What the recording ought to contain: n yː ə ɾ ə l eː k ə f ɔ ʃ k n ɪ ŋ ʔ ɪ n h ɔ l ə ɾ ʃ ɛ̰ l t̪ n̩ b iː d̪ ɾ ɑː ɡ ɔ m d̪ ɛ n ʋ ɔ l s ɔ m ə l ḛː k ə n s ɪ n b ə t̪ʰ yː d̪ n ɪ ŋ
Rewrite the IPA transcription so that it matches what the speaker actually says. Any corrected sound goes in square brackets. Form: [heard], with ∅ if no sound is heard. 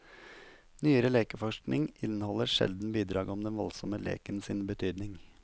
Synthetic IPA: n yː ə ɾ ə l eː k ə f ɔ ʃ k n ɪ ŋ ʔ ɪ n h ɔ l ə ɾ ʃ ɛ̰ l [d̪] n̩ b iː d̪ ɾ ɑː ɡ ɔ m d̪ ɛ n ʋ ɔ l s ɔ m ə l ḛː k ə n s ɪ n b ə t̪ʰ yː d̪ n ɪ ŋ